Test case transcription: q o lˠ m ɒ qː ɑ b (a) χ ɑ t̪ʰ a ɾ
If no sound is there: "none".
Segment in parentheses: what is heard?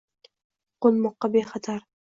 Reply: e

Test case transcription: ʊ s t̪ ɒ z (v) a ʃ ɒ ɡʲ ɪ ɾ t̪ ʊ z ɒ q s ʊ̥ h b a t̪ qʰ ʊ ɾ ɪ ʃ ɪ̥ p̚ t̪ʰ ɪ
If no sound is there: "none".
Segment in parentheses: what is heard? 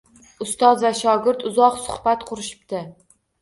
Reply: v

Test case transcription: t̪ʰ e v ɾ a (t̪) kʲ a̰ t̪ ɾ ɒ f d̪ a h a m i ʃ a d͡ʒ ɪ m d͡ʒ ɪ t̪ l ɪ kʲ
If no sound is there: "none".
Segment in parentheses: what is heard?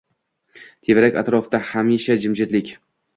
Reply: none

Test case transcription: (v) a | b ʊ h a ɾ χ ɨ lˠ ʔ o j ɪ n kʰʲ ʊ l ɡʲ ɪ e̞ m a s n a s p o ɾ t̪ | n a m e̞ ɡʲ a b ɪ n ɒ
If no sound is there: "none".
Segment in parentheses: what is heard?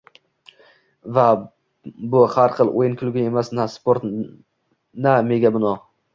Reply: v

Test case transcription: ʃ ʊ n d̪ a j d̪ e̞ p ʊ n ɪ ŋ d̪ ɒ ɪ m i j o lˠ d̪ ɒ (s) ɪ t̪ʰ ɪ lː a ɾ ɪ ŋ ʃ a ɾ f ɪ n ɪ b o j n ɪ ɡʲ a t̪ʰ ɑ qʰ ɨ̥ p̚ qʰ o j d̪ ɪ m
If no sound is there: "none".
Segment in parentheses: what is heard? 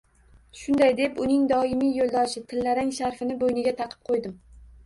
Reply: ʃ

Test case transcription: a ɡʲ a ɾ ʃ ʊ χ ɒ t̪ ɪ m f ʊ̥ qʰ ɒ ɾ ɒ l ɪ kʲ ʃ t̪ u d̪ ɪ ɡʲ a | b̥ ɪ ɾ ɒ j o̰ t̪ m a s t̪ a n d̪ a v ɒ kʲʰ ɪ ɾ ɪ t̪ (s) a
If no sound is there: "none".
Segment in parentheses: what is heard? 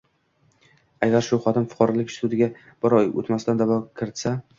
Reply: s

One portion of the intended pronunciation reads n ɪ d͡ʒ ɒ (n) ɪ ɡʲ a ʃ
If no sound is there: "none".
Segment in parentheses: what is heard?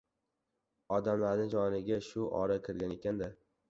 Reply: n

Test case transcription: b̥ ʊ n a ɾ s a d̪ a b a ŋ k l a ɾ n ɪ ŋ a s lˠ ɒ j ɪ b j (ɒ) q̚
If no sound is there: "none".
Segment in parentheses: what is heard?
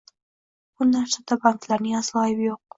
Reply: o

